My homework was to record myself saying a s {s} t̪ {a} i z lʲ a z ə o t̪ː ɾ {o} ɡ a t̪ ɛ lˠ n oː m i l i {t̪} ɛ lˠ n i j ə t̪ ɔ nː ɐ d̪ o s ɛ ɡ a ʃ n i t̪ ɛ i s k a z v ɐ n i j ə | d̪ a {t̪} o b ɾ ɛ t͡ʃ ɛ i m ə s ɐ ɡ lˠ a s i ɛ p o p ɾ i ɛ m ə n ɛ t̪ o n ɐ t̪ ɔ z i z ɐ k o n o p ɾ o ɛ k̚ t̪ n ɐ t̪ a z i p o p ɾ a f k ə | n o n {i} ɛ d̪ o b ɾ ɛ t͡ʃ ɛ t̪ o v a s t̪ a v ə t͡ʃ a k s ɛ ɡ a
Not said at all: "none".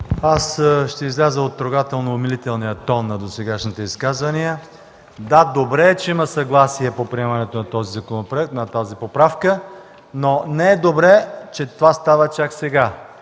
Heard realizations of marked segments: ʃ, ɛ, o, t̪, d̪, ɛ

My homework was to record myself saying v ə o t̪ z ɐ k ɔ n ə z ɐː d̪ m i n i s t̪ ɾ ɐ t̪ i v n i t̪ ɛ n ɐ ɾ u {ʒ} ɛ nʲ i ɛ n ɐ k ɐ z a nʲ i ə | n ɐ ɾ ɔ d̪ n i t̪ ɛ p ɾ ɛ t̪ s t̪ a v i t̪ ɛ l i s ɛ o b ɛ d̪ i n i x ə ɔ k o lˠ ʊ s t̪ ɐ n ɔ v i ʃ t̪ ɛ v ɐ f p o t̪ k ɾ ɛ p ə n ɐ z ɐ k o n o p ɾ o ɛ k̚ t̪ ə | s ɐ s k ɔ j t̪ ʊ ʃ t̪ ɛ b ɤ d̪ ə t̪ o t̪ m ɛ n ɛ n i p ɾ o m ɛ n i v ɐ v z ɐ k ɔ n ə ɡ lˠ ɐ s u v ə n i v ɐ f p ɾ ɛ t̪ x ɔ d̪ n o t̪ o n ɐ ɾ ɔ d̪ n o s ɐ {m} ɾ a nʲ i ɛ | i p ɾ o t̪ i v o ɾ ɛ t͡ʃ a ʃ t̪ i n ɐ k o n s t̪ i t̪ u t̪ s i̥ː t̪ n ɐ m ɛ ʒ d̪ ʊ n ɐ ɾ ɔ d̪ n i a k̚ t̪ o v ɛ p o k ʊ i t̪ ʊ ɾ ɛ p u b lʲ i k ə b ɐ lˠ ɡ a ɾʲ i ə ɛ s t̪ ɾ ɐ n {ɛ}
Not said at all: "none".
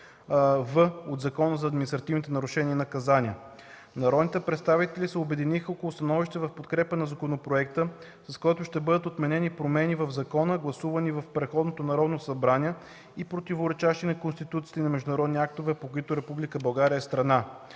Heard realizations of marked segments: ʃ, b, a

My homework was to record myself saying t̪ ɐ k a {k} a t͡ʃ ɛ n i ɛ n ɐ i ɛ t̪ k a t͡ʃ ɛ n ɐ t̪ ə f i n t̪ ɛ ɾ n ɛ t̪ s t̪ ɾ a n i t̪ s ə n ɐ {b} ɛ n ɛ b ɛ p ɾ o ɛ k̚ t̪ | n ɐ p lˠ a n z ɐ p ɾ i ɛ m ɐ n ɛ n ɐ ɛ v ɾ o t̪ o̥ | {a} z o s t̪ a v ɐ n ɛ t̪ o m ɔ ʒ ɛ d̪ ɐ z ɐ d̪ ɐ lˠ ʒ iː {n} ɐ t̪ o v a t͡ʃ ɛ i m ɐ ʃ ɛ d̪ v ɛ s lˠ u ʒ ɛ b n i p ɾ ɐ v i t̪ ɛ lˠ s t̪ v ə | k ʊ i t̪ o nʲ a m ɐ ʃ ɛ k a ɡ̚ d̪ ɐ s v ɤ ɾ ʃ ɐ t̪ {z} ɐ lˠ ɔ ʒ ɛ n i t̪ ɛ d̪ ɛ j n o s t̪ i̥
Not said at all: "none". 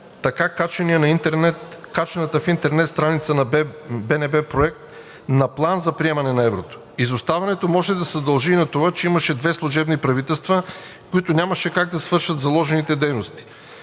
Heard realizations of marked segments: k, b, i, n, z

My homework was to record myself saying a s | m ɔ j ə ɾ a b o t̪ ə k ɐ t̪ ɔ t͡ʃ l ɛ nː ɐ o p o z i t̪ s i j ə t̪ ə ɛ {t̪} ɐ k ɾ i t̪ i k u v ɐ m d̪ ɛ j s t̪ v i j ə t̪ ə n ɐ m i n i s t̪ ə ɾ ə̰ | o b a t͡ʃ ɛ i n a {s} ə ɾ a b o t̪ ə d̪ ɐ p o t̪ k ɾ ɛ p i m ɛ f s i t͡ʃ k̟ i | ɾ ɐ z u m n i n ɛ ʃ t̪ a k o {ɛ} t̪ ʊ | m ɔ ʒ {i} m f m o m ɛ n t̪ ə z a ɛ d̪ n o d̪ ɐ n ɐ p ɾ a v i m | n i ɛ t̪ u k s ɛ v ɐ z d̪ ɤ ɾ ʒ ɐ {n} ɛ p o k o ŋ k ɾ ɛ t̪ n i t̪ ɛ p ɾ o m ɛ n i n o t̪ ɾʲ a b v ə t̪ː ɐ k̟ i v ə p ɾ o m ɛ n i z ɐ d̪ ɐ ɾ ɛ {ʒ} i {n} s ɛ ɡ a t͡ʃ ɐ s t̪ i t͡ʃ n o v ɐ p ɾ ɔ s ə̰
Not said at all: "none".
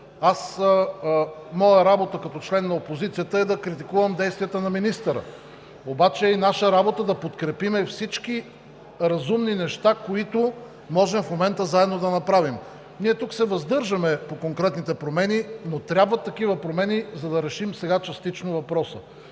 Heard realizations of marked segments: d̪, ʃ, i, ɛ, m, ʃ, m

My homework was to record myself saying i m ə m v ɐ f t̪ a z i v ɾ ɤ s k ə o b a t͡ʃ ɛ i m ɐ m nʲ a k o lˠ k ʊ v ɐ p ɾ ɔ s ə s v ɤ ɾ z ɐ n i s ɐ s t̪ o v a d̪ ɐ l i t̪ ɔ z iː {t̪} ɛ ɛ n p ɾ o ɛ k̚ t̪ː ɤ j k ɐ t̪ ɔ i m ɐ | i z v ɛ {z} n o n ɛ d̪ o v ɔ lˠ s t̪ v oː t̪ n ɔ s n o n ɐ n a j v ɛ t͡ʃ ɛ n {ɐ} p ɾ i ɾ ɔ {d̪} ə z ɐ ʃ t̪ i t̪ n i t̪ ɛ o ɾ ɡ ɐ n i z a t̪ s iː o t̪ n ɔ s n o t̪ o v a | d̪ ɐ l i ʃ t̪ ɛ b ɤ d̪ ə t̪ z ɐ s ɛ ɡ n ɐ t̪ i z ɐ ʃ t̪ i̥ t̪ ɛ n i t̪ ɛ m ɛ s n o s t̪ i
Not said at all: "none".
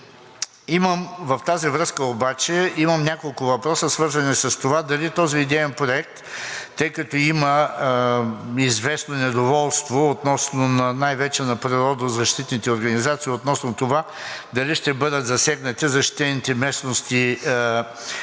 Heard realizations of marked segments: d̪, s, ɐ, d̪

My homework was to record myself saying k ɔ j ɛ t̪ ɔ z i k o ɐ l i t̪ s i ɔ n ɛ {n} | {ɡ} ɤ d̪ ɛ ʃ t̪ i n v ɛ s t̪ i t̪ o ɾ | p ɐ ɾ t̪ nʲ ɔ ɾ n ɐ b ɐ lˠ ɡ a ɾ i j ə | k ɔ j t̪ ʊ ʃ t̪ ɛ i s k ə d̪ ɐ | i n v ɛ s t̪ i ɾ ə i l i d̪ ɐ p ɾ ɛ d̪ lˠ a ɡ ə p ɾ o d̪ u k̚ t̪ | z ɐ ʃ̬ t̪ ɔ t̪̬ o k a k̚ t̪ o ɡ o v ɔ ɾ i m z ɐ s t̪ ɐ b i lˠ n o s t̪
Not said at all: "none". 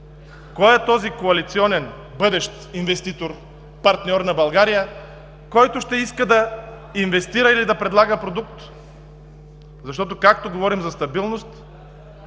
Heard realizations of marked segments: n, b

